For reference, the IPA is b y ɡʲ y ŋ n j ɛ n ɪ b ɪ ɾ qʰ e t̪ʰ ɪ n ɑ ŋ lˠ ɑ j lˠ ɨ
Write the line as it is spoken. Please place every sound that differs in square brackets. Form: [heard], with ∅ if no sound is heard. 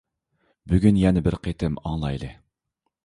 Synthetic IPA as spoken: b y ɡʲ y [∅] n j ɛ n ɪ b ɪ ɾ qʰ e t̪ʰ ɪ [m] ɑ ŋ lˠ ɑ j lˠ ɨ